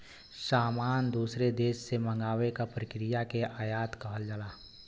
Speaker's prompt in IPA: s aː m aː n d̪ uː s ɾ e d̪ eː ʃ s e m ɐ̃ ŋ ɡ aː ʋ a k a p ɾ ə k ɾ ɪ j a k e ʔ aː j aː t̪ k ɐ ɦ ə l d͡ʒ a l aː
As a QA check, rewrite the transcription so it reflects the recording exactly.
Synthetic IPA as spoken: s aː m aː n d̪ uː s ɾ e d̪ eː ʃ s e m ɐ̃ ŋ ɡ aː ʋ e k a p ɾ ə k ɾ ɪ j a k e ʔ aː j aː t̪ k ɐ ɦ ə l d͡ʒ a l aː